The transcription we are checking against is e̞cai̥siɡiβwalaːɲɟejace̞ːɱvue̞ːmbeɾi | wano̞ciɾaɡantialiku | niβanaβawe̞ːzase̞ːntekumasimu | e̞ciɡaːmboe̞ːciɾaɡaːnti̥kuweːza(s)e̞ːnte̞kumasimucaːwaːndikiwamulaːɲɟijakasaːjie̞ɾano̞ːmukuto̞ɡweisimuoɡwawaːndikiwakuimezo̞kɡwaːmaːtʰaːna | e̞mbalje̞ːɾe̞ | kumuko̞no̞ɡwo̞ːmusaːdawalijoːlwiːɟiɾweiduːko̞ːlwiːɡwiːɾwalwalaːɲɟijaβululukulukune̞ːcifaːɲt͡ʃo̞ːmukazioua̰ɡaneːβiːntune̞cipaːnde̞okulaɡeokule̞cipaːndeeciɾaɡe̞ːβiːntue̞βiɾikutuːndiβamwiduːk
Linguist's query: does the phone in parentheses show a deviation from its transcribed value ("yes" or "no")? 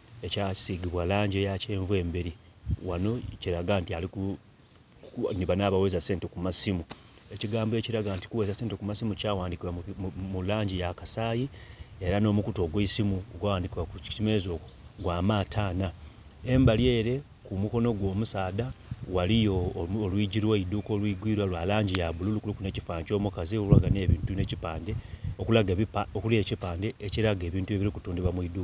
no